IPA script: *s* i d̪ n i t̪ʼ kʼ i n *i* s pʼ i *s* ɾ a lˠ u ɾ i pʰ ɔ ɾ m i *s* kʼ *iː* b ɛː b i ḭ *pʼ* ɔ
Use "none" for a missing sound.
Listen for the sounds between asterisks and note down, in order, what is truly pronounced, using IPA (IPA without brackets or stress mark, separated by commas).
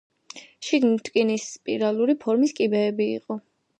ʃ, i, none, s, i, qʼ